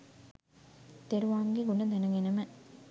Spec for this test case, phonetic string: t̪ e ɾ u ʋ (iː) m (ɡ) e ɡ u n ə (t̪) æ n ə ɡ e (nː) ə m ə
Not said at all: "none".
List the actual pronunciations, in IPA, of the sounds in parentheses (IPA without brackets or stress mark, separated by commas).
aː, ɡ, d̪, n